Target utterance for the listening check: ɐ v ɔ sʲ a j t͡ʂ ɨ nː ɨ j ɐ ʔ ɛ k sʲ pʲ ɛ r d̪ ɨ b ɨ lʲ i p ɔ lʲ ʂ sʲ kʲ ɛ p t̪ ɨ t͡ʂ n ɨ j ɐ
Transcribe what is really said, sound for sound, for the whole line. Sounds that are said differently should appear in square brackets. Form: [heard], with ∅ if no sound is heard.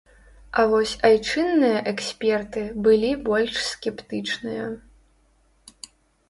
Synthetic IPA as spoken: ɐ v ɔ sʲ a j t͡ʂ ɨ nː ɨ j ɐ ʔ ɛ k sʲ pʲ ɛ r [t̪] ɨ b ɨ lʲ i [b] ɔ lʲ ʂ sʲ kʲ ɛ p t̪ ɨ t͡ʂ n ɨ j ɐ